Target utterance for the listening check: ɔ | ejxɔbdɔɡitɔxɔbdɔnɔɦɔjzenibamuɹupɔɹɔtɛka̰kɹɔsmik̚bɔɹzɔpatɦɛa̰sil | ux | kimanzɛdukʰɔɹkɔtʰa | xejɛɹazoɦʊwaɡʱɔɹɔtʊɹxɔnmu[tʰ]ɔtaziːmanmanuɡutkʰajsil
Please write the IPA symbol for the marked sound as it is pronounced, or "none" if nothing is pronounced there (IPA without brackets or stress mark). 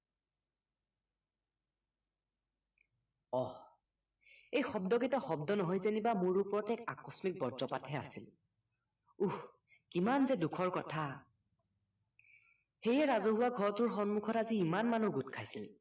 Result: kʰ